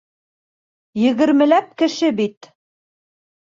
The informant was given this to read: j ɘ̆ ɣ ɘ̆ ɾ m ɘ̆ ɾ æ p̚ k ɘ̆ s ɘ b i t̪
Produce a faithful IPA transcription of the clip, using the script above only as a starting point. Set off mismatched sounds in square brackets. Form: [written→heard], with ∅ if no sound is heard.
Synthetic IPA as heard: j ɘ̆ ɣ ɘ̆ ɾ m ɘ̆ [ɾ→l] æ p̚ k ɘ̆ [s→ʃ] ɘ b i t̪